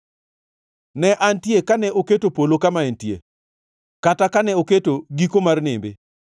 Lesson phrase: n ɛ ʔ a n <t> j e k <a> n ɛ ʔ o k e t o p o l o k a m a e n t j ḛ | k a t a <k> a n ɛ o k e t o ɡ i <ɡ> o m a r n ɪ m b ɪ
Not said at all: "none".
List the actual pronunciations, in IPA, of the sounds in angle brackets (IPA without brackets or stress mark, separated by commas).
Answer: t, a, k, k